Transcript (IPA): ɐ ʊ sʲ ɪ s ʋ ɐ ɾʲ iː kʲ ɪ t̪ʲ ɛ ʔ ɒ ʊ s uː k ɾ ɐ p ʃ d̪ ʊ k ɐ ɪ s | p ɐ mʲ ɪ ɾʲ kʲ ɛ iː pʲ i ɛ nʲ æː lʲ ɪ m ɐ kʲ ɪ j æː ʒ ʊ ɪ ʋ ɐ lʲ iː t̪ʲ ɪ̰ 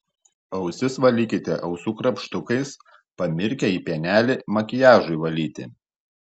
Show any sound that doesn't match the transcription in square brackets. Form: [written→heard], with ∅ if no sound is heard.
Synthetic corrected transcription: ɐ ʊ sʲ ɪ s ʋ ɐ [ɾʲ→lʲ] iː kʲ ɪ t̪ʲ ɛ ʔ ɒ ʊ s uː k ɾ ɐ p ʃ [d̪→t̪] ʊ k ɐ ɪ s | p ɐ mʲ ɪ ɾʲ kʲ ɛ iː pʲ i ɛ nʲ æː lʲ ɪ m ɐ kʲ ɪ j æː ʒ ʊ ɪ ʋ ɐ lʲ iː t̪ʲ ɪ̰